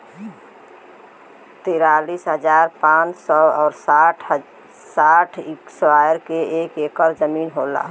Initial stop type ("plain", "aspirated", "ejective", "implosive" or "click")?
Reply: plain